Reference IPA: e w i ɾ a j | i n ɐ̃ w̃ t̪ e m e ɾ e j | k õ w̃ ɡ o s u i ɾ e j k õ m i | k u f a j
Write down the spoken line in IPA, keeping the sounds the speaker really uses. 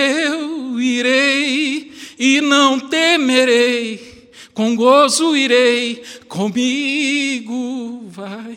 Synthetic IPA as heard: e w i ɾ e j | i n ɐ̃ w̃ t̪ e m e ɾ e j | k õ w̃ ɡ o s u i ɾ e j k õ m i | ɡ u v a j